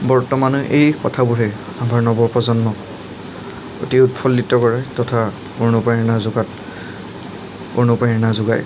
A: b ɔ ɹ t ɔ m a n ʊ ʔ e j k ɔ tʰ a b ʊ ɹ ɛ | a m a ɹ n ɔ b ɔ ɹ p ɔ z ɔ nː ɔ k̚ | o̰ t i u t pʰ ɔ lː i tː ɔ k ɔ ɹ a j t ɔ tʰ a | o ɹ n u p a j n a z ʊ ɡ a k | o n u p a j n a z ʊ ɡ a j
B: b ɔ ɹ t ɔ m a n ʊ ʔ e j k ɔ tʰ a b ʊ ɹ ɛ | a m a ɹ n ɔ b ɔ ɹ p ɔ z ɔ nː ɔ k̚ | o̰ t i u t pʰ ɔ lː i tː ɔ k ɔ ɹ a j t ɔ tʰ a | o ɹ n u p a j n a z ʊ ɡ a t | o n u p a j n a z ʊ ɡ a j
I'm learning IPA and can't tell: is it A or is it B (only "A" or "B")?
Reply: B